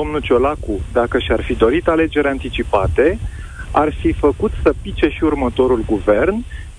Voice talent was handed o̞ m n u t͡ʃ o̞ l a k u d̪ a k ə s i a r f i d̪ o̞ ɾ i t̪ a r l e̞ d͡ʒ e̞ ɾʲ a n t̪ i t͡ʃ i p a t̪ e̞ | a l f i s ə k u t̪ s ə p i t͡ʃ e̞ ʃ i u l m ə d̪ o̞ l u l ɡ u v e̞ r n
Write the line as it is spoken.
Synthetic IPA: o̞ m n u t͡ʃ o̞ l a k u d̪ a k ə ʃ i a r f i d̪ o̞ ɾ i t̪ a l e̞ d͡ʒ e̞ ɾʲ a n t̪ i t͡ʃ i p a t̪ e̞ | a r f i f ə k u t̪ s ə p i t͡ʃ e̞ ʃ i u r m ə t̪ o̞ ɾ u l ɡ u v e̞ r n